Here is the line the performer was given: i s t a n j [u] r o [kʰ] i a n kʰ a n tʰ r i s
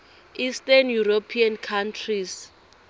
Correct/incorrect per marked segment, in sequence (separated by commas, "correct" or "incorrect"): correct, incorrect